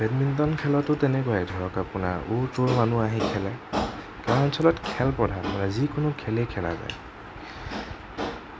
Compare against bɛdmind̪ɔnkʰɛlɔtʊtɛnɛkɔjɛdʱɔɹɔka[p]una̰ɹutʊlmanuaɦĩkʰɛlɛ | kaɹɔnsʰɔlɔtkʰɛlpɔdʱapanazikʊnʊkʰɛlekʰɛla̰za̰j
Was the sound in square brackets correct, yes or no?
yes